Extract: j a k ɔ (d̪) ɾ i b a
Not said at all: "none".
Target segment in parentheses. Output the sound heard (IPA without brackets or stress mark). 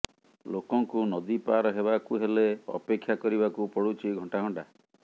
none